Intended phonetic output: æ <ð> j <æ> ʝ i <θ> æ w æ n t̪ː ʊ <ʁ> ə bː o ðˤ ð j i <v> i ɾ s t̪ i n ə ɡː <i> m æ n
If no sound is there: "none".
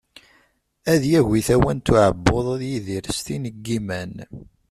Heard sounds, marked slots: ð, æ, θ, ʕ, ð, i

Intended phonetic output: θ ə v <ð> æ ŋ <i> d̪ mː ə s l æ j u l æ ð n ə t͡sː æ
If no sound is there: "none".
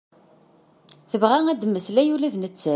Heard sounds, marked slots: ʁ, æ

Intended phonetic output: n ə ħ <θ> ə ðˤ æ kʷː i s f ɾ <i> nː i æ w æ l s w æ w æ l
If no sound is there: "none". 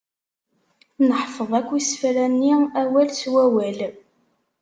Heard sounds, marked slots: f, æ

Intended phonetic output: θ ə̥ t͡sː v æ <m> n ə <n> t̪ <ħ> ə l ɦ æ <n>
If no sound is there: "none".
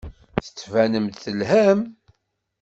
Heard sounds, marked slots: none, m, θ, m

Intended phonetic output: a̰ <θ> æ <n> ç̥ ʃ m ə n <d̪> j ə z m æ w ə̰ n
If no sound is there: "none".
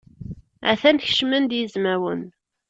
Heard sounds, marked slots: θ, n, d̪

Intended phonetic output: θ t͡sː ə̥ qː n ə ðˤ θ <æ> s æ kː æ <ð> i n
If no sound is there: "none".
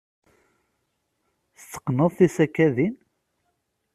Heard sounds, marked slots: i, ð

